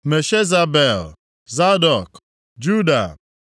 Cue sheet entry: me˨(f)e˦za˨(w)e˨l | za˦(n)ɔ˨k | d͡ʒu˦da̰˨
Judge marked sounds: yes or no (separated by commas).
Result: no, no, no